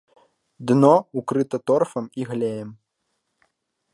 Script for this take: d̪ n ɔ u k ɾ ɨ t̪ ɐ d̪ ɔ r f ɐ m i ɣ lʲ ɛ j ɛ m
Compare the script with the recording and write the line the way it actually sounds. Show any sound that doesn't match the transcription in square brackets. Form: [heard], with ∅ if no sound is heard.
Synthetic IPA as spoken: d̪ n ɔ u k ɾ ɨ t̪ ɐ [t̪] ɔ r f ɐ m i ɣ lʲ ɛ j ɛ m